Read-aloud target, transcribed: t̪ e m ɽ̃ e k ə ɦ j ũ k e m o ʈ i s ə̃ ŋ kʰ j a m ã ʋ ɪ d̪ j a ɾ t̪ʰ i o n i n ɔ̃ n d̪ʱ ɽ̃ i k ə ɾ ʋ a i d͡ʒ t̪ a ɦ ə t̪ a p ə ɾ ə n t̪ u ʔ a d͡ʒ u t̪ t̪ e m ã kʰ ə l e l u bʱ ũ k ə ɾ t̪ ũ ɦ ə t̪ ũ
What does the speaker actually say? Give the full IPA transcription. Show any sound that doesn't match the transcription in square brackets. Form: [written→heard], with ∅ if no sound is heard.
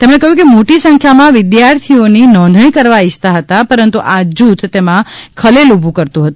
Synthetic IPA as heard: t̪ e m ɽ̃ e k ə ɦ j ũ k e m o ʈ i s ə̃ ŋ kʰ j a m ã ʋ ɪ d̪ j a ɾ t̪ʰ i o n i n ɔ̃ n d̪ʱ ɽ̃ i k ə ɾ ʋ a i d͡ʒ t̪ a ɦ ə t̪ a p ə ɾ ə n t̪ u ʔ a d͡ʒ u t̪ t̪ e m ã kʰ ə l e l u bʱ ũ k ə ɾ t̪ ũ ɦ ə t̪ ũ